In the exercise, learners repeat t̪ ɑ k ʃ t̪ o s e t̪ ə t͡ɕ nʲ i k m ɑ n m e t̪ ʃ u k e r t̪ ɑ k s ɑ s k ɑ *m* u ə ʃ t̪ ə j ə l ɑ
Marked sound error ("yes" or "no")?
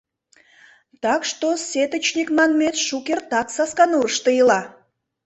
yes